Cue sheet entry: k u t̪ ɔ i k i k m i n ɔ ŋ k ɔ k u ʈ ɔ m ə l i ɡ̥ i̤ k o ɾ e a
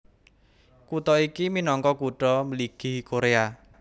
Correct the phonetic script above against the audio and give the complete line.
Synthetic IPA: k u t̪ ɔ i k i m i n ɔ ŋ k ɔ k u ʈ ɔ m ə l i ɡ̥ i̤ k o ɾ e a